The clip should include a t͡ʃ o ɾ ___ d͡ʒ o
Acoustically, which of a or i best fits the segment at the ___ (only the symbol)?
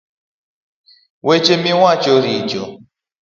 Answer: i